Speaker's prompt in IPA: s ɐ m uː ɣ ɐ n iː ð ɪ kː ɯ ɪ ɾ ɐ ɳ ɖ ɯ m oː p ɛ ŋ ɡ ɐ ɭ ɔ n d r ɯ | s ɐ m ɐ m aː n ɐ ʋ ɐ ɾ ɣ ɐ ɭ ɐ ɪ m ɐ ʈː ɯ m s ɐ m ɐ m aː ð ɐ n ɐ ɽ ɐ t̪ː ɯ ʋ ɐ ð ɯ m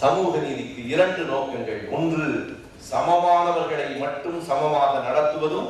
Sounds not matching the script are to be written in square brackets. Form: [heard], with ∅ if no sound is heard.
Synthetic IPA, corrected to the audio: s ɐ m uː ɣ ɐ n iː ð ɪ kː ɯ ɪ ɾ ɐ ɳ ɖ ɯ [n] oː [k] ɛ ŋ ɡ ɐ ɭ ɔ n d r ɯ | s ɐ m ɐ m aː n ɐ ʋ ɐ ɾ ɣ ɐ ɭ ɐ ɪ m ɐ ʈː ɯ m s ɐ m ɐ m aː [ɣ] ɐ n ɐ ɽ ɐ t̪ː ɯ ʋ ɐ ð ɯ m